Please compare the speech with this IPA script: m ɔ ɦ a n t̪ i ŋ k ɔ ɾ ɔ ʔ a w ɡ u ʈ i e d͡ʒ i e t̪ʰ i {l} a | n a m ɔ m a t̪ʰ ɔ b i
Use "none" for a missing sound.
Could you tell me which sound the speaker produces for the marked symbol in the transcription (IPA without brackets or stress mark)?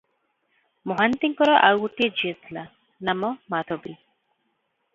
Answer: l